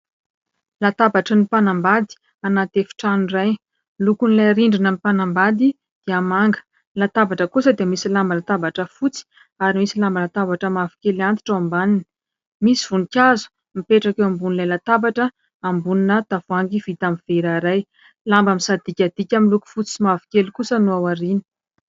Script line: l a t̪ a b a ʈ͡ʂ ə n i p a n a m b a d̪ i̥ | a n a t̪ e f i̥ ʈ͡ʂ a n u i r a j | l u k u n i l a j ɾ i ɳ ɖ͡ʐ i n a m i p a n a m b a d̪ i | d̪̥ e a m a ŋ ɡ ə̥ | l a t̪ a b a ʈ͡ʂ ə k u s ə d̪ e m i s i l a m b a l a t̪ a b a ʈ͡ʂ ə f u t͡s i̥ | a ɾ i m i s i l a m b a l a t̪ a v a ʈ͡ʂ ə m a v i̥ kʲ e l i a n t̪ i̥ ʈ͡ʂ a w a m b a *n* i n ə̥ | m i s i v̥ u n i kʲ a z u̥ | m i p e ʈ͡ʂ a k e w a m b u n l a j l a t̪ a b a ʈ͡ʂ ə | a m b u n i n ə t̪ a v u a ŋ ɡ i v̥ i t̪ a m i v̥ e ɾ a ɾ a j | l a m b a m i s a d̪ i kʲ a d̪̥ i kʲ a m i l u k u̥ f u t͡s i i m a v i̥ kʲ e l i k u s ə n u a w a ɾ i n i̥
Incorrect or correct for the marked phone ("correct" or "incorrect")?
correct